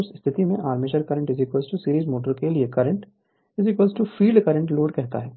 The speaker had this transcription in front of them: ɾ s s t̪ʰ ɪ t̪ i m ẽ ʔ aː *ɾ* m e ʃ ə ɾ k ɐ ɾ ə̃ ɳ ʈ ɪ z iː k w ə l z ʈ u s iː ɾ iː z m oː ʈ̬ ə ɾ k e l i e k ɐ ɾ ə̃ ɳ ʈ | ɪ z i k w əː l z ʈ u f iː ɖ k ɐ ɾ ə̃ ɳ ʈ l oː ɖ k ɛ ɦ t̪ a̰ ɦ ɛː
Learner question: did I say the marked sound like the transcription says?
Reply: yes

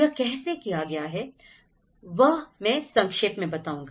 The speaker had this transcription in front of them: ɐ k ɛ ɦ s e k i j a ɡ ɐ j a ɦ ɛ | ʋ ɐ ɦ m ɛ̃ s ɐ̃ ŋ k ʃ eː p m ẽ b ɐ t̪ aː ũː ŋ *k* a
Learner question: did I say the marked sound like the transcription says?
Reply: no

